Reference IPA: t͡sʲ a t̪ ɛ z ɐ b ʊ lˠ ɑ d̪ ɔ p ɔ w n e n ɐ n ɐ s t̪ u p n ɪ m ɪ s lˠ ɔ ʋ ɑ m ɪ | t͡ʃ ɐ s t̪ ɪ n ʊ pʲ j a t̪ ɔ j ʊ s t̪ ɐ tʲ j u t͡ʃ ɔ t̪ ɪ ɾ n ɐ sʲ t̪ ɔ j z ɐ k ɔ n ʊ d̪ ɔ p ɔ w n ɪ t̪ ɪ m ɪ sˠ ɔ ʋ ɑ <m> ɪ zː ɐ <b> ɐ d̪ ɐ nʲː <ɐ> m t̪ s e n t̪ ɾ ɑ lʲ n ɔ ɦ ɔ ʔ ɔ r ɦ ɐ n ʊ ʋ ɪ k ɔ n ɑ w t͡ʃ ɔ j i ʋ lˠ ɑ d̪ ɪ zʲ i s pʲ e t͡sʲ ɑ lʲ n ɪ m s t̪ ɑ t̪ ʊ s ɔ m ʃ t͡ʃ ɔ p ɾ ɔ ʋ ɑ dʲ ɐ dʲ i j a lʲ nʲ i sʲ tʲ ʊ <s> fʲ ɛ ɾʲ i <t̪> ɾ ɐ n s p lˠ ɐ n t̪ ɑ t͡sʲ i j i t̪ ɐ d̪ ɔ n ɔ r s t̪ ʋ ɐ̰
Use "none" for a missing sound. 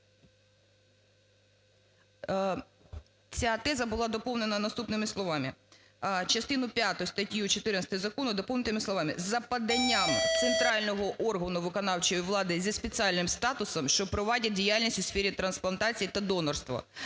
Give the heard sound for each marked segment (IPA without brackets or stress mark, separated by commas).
m, p, a, s, t̪